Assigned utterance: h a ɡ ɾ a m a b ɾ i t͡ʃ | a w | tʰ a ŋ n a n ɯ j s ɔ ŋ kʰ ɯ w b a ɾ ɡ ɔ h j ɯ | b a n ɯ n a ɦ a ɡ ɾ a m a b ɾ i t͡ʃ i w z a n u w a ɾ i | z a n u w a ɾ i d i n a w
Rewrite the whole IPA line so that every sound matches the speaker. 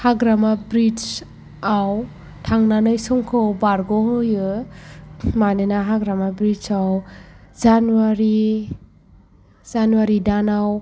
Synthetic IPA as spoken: h a ɡ ɾ a m a b ɾ i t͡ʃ | a w | tʰ a ŋ n a n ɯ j s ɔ ŋ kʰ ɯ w b a ɾ ɡ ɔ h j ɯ | m a n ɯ n a ɦ a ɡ ɾ a m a b ɾ i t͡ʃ a w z a n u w a ɾ i | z a n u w a ɾ i d a n a w